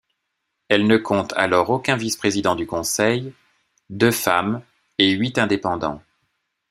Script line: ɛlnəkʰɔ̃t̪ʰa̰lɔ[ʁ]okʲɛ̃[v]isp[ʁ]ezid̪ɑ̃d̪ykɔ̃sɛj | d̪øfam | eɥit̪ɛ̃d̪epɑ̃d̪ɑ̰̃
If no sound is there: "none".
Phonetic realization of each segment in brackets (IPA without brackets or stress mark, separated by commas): ʁ, v, χ